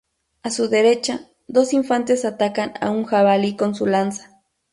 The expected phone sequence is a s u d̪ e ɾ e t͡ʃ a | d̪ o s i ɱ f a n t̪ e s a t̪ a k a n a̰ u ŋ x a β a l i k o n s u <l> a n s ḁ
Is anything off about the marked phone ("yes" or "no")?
no